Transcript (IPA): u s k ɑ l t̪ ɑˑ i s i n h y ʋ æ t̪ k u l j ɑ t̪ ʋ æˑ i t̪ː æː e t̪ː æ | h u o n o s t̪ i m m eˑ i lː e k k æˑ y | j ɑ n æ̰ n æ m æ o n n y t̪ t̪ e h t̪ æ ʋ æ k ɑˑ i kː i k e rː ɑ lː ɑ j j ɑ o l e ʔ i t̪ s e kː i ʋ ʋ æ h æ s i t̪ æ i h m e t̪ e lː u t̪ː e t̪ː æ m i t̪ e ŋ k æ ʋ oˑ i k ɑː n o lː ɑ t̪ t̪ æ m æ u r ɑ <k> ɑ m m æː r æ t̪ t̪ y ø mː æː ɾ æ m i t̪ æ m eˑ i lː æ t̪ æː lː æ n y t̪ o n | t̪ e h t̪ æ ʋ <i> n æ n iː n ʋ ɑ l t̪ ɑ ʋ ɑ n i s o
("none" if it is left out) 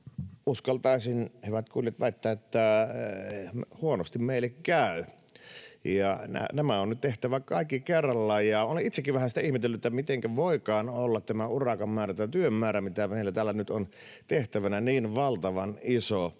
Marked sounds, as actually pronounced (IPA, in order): k, æ

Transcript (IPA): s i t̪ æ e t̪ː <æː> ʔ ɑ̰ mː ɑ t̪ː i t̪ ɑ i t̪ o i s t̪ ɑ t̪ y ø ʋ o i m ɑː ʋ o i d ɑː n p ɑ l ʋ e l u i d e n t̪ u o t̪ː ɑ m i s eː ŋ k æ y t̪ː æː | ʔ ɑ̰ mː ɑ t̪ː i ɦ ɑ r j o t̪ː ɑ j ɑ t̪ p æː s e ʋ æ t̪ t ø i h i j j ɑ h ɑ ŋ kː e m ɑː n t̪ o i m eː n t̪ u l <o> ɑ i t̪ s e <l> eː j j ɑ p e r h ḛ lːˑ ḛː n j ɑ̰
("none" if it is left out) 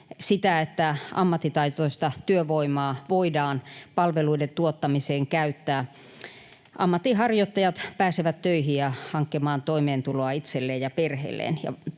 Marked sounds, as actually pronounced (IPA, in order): æ, o, lː

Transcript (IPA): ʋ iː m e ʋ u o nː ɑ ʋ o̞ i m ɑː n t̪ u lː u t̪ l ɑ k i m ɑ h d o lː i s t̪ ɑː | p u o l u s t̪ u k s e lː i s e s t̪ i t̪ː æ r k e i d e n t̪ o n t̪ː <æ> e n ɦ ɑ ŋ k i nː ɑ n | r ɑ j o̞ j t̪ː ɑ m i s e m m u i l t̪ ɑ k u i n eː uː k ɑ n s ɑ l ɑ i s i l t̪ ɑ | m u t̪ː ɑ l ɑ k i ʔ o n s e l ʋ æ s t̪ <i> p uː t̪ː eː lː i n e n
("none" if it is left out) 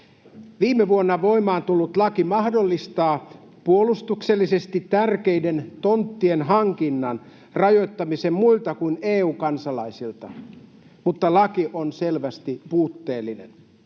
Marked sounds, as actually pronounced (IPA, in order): i, i

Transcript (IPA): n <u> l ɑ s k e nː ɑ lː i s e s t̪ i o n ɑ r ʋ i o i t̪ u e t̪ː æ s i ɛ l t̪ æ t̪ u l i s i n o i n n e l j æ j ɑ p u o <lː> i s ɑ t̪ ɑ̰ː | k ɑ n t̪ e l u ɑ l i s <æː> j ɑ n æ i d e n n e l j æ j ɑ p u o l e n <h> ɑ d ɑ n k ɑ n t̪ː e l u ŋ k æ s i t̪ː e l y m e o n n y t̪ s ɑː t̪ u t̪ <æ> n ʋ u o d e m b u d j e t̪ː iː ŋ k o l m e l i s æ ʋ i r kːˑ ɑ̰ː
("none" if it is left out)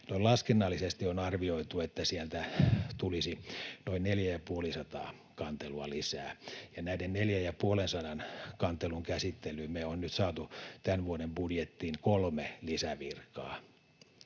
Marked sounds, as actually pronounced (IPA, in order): o, l, æː, s, æ

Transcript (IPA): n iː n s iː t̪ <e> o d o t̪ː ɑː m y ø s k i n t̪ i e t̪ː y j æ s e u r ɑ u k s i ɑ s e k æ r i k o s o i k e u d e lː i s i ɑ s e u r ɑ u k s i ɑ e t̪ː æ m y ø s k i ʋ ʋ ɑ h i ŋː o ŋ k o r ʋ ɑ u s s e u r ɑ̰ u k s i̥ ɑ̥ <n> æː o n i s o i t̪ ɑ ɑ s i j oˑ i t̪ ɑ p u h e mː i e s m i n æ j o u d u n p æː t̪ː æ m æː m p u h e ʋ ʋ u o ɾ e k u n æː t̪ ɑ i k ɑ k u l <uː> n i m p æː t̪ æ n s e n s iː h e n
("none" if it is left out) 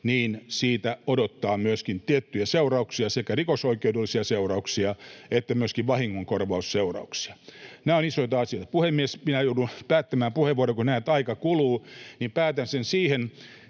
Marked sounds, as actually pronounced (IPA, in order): æ, n, uː

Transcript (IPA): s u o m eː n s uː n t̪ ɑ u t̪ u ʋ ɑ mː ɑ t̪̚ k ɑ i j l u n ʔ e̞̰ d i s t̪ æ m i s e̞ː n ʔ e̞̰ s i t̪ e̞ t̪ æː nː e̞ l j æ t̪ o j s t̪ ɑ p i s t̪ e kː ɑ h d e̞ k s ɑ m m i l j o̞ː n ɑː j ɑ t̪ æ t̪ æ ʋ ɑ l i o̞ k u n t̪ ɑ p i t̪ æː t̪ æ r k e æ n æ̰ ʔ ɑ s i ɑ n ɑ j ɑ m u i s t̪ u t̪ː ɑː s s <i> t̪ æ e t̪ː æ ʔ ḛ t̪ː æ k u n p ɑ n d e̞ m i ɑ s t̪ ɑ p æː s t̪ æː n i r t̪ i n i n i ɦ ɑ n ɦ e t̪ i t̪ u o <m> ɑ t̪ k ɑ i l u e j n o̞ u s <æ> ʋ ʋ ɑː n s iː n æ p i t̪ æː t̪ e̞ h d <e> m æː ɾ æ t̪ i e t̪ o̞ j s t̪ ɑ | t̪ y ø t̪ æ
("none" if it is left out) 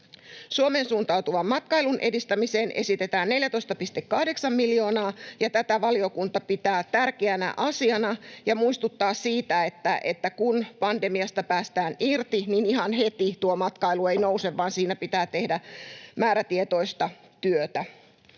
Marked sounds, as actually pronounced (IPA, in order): iː, m, e, æ

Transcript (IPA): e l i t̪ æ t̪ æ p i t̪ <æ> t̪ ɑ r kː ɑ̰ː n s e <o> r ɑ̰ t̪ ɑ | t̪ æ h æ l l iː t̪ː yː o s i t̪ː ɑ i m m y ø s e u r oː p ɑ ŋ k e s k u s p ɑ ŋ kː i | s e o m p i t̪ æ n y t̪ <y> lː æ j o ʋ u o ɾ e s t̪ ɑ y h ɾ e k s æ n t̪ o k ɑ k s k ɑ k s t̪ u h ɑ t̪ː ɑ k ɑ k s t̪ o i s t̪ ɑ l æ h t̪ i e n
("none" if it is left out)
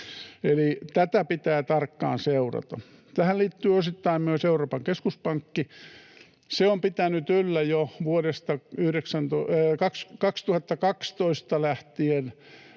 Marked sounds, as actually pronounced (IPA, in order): æː, u, y

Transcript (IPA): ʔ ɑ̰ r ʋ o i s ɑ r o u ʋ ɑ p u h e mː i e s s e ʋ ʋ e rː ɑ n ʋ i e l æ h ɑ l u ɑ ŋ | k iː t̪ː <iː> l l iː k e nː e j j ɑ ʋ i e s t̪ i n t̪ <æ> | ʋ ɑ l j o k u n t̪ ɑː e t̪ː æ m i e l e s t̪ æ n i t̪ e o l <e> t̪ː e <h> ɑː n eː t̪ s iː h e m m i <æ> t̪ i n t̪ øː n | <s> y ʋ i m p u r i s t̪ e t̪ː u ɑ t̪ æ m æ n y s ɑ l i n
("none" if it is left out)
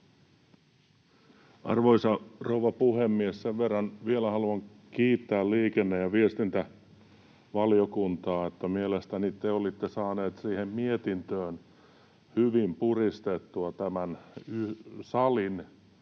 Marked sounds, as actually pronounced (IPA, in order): æː, æ, i, s, e, h

